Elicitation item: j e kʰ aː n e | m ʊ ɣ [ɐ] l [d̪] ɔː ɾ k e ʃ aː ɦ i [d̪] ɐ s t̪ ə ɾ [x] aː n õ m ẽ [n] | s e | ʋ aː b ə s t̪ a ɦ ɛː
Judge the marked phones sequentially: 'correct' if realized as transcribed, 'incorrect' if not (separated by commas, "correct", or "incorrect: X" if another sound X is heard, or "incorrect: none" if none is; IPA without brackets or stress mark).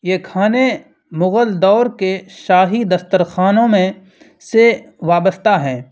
incorrect: ə, correct, correct, correct, incorrect: none